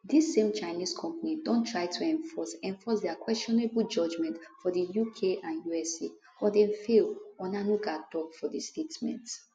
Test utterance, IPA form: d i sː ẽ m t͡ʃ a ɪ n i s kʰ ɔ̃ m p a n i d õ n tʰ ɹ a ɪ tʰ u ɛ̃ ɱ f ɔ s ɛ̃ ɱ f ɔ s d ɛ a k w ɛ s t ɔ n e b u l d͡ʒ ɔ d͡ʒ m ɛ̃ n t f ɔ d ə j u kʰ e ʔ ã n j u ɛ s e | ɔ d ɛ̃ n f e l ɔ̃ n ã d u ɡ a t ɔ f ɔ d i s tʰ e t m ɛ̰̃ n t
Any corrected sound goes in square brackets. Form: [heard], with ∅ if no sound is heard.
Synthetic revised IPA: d i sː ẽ m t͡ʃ a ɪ n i s kʰ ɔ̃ m p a n i d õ n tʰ ɹ a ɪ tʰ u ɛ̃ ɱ f ɔ s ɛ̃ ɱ f ɔ s d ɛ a k w ɛ s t ɔ n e b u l d͡ʒ ɔ d͡ʒ m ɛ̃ n t f ɔ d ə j u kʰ e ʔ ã n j u ɛ s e | ɔ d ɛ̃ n f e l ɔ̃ n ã [n] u ɡ a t ɔ f ɔ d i s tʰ e t m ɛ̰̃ n t

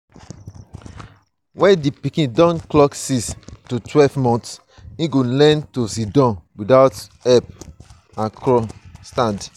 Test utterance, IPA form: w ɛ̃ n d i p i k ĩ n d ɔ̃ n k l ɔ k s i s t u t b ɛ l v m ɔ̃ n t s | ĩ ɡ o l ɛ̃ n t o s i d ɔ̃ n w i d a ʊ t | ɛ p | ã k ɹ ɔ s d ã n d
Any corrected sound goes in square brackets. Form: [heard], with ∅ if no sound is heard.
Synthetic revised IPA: w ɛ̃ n d i p i k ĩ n d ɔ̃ n k l ɔ k s i s t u t [w] ɛ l v m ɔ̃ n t s | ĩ ɡ o l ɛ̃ n t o s i d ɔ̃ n w i d a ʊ t | ɛ p | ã k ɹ ɔ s [t] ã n d

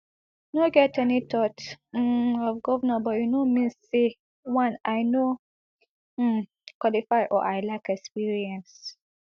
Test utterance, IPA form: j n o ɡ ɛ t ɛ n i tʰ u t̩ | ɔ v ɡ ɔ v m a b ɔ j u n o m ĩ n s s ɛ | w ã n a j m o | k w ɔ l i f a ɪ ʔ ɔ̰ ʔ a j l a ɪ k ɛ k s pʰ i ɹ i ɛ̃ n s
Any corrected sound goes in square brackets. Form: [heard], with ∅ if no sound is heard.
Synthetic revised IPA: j n o ɡ ɛ t ɛ n i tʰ [ɔ] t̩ | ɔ v ɡ ɔ v [n] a b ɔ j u n o m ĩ n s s [e] | w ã n a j [n] o | k w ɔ l i f a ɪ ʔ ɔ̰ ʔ a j l a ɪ k ɛ k s [p] i ɹ i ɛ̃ n s

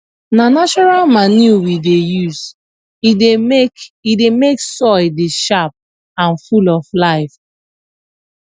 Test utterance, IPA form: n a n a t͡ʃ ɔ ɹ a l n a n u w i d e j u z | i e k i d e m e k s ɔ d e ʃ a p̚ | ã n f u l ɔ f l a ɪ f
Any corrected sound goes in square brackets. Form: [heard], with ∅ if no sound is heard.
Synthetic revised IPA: n a n a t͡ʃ ɔ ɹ a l [m] a n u w i d e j u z | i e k i d e m e k s ɔ d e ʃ a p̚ | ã n f u l ɔ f l a ɪ f

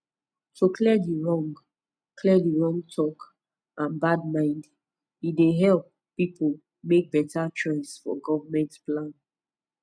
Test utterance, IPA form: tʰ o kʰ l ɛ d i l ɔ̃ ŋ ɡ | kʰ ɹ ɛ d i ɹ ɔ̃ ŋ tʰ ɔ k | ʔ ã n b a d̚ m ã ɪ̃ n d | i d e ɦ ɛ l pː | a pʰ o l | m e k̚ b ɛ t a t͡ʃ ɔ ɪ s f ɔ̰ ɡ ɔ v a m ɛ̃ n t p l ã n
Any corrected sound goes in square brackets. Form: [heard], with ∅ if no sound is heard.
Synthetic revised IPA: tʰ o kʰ l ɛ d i [ɹ] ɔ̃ ŋ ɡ | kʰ [l] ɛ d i ɹ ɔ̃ ŋ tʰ ɔ k | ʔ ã n b a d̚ m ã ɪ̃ n d | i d e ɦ ɛ l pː | [i] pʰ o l | m e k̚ b ɛ t a t͡ʃ ɔ ɪ s f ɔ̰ ɡ ɔ v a m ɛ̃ n t p l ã n

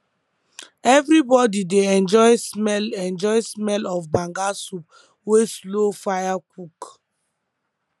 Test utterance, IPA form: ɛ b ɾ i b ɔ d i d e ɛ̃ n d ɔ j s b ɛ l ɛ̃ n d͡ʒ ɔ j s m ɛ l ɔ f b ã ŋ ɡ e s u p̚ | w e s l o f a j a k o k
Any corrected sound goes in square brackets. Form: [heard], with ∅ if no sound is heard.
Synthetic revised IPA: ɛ [v] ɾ i b ɔ d i d e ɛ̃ n [d͡ʒ] ɔ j s [m] ɛ l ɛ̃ n d͡ʒ ɔ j s m ɛ l ɔ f b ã ŋ ɡ [a] s u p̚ | w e s l o f a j a k [u] k

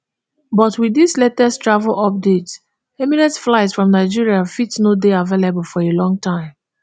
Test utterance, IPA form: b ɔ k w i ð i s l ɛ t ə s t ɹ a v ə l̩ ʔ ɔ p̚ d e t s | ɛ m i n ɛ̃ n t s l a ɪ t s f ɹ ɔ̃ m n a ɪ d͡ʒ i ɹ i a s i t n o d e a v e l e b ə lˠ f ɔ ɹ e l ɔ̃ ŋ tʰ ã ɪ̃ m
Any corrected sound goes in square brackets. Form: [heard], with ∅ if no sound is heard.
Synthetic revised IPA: b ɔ [t] w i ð i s l ɛ t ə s t ɹ a v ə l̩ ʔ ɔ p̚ d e t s | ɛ m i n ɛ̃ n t [f] l a ɪ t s f ɹ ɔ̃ m n a ɪ d͡ʒ i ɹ i a [f] i t n o d e a v e l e b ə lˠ f ɔ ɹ e l ɔ̃ ŋ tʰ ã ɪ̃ m

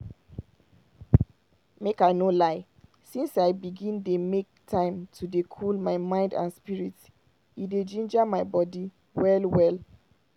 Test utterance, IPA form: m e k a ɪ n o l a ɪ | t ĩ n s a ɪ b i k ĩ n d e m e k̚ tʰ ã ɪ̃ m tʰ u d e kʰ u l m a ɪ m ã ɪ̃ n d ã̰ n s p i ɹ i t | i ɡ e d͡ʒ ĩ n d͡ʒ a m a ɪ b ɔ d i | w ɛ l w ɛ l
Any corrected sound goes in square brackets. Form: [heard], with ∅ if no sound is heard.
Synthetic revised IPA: m e k a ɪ n o l a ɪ | [s] ĩ n s a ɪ b i [ɡ] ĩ n d e m e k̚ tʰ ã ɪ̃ m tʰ u d e kʰ u l m a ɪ m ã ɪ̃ n d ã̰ n s p i ɹ i t | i [d] e d͡ʒ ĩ n d͡ʒ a m a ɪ b ɔ d i | w ɛ l w ɛ l

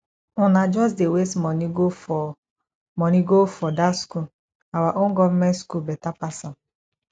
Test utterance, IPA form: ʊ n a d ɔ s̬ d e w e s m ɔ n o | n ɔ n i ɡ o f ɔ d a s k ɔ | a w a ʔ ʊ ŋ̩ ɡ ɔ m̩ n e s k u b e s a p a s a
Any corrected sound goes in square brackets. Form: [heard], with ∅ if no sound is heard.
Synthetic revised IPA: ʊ n a [d͡ʒ] ɔ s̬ d e w e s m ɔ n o | [m] ɔ n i ɡ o f ɔ d a s k [u] | a w a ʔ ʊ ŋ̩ ɡ ɔ m̩ [m] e s k u b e [t] a p a s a

